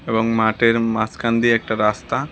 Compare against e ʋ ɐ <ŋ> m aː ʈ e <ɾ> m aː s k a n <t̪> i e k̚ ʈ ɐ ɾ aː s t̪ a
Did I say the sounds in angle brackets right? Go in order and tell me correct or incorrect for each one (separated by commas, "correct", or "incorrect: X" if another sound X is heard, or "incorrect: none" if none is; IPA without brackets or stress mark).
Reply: correct, correct, incorrect: d̪